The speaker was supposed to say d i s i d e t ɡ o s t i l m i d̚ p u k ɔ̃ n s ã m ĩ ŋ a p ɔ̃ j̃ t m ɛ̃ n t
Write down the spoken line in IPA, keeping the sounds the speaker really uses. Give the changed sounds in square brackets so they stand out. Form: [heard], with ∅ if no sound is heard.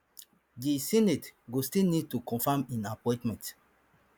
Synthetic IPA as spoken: d i s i [n] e t ɡ o s t i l [n] i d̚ [t] u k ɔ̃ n [f] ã m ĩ [n] a p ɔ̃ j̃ t m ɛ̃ n t